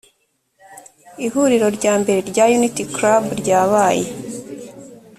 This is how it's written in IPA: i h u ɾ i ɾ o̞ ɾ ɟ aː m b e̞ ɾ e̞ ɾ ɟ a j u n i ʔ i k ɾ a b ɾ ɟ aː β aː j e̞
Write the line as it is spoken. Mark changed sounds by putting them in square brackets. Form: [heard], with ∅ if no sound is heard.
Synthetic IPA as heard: i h u ɾ i ɾ o̞ ɾ ɟ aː m b e̞ ɾ e̞ ɾ ɟ a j u n i [t] i k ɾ a b ɾ ɟ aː β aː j e̞